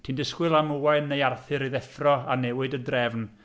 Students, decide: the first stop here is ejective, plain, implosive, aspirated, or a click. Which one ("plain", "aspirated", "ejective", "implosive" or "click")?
aspirated